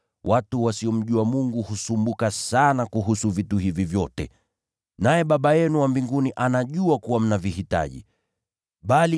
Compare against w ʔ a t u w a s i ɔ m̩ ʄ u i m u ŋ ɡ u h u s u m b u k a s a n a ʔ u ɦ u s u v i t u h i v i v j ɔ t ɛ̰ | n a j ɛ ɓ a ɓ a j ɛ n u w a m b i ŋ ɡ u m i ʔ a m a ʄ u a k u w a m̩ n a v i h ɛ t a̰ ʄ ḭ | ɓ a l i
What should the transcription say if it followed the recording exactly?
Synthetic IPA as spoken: w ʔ a t u w a s i ɔ m̩ ʄ u a m u ŋ ɡ u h u s u m b u k a s a n a k u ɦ u s u v i t u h i v i v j ɔ t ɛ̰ | n a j ɛ ɓ a ɓ a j ɛ n u w a m b i ŋ ɡ u n i ʔ a n a ʄ u a k u w a m̩ n a v i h i t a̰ ʄ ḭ | ɓ a l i